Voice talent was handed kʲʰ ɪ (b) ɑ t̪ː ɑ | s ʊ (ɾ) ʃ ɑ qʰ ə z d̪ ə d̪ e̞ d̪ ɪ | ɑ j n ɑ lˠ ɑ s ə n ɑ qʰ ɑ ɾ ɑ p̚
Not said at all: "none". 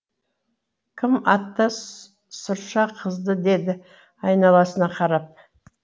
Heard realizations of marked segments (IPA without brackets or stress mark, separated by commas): m, ɾ